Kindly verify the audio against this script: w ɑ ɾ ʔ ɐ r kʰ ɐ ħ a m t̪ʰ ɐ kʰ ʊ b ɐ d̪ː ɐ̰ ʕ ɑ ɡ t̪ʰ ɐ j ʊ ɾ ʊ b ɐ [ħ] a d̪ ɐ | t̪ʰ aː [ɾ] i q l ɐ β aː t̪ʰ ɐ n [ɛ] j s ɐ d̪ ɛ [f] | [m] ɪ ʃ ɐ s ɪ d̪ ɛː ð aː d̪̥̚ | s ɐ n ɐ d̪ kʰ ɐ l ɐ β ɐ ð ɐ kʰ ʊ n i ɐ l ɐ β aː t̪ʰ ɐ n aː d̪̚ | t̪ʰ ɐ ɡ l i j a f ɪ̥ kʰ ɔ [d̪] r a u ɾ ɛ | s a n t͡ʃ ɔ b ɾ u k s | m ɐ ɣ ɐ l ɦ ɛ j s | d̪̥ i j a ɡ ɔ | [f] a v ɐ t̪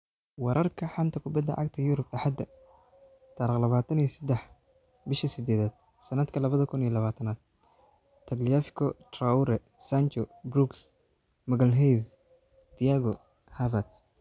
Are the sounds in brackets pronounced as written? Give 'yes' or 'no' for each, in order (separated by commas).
yes, yes, no, no, no, no, no